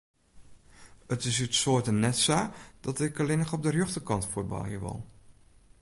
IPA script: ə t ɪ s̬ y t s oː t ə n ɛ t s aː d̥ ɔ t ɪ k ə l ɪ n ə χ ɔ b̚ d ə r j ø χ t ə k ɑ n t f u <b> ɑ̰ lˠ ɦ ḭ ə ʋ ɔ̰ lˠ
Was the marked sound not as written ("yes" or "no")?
no